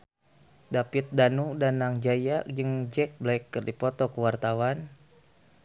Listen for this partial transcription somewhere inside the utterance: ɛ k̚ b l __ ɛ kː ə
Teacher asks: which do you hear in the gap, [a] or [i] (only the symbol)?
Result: a